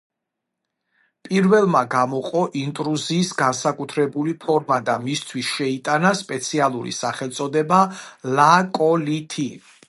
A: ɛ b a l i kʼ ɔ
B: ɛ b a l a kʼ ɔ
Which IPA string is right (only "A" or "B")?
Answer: B